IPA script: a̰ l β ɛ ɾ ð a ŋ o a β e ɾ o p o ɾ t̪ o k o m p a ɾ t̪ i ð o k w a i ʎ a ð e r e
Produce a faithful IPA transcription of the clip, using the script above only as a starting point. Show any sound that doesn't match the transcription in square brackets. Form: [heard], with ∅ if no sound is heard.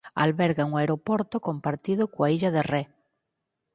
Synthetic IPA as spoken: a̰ l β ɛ ɾ [ɣ] a ŋ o a [∅] e ɾ o p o ɾ t̪ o k o m p a ɾ t̪ i ð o k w a i ʎ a ð e r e